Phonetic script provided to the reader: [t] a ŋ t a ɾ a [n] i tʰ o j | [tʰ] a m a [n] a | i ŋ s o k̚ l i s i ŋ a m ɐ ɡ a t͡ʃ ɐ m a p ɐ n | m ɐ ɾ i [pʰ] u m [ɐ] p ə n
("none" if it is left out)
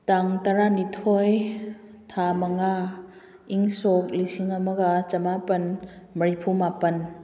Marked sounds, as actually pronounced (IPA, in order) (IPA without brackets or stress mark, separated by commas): t, n, tʰ, ŋ, pʰ, a